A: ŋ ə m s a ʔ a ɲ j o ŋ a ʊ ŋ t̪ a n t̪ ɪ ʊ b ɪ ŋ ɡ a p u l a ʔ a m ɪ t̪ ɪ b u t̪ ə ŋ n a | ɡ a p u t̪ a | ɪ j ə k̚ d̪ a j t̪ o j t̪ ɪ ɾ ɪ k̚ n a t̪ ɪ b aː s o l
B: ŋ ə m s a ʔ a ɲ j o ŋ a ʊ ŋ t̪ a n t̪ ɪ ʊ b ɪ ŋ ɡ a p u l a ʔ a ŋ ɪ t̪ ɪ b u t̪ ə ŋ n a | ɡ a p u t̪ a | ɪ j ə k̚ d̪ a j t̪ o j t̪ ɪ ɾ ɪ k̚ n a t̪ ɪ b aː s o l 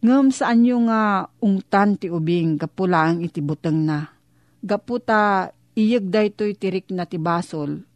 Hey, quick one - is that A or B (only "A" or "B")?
B